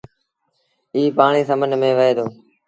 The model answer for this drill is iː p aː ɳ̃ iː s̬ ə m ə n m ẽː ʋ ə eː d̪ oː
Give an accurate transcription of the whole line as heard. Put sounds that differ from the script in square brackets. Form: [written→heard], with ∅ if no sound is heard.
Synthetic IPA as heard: iː p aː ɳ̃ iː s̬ ə m ə n m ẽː ʋ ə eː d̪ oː